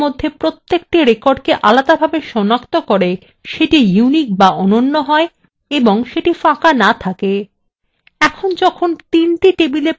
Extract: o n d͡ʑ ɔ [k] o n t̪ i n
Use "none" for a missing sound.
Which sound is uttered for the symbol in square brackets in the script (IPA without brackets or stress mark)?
kʰ